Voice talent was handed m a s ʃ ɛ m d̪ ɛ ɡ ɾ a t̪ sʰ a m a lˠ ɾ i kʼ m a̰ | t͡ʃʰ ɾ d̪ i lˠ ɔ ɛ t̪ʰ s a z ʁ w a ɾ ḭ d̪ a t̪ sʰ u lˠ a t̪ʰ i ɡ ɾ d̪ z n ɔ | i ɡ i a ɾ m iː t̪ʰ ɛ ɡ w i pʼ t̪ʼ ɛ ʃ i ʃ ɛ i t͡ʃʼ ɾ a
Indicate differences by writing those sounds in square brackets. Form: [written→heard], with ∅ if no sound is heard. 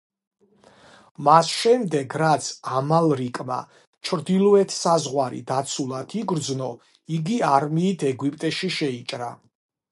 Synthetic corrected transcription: m a s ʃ ɛ m d̪ ɛ ɡ ɾ a t̪ sʰ a m a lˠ ɾ i kʼ m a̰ | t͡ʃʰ ɾ d̪ i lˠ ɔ ɛ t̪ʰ s a z ʁ w a ɾ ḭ d̪ a t̪ sʰ u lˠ a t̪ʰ i ɡ ɾ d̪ z n ɔ | i ɡ i a ɾ m iː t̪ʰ ɛ ɡ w i pʼ t̪ʼ ɛ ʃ i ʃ ɛ i t͡ʃʼ ɾ a